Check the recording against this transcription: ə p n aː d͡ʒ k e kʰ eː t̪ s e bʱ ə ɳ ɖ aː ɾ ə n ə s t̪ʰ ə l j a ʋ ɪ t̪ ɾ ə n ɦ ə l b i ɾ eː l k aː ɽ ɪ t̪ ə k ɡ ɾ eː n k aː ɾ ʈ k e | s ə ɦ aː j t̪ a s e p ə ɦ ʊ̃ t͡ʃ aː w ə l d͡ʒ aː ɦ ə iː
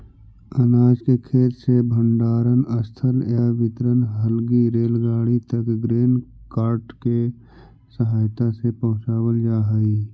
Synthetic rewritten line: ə n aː d͡ʒ k e kʰ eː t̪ s e bʱ ə ɳ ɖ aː ɾ ə n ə s t̪ʰ ə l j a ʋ ɪ t̪ ɾ ə n ɦ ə l ɡ i ɾ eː l ɡ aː ɽ i t̪ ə k ɡ ɾ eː n k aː ɾ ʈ k e | s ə ɦ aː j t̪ a s e p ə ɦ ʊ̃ t͡ʃ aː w ə l d͡ʒ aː ɦ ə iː